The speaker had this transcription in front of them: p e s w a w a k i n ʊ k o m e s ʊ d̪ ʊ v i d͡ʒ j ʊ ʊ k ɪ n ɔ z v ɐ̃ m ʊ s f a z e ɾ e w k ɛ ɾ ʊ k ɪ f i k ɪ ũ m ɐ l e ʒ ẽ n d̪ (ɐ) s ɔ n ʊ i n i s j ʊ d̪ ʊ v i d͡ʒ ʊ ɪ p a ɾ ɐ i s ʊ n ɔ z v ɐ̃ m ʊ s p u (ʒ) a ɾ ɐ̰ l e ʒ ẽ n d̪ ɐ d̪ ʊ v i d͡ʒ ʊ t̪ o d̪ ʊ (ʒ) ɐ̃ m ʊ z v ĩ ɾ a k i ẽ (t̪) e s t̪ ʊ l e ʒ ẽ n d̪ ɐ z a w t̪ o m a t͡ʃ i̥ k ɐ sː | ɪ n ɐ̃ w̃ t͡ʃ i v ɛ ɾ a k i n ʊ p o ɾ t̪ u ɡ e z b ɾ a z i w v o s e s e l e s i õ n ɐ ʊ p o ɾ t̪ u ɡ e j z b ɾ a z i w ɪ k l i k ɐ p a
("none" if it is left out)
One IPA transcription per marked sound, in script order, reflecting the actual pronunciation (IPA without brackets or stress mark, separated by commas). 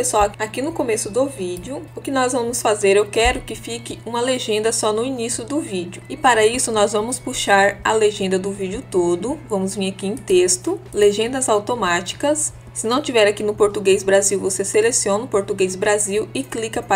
ɐ, ʃ, v, t̪